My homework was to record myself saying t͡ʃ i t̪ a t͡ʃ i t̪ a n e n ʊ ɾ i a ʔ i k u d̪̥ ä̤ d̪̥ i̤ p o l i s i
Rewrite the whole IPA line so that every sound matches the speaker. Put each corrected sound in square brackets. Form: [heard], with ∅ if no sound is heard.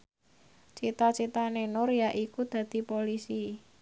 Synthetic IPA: t͡ʃ i t̪ a t͡ʃ i t̪ a n e n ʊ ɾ [j] a ʔ i k u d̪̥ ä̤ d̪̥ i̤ p o l i s i